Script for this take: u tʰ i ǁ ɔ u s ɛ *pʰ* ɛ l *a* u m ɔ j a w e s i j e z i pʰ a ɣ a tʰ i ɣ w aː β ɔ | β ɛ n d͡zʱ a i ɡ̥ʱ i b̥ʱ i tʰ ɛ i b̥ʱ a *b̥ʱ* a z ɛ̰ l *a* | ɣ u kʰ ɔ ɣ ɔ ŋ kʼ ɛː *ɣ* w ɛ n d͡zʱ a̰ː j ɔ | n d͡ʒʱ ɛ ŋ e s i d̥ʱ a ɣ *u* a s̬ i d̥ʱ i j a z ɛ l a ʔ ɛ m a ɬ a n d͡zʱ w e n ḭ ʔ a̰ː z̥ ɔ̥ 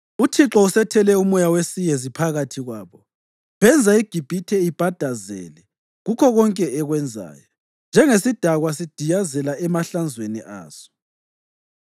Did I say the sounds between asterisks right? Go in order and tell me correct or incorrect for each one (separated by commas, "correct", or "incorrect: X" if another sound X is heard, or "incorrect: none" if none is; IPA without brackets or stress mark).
incorrect: tʰ, incorrect: ɛ, incorrect: d̥ʱ, incorrect: ɛ, correct, incorrect: w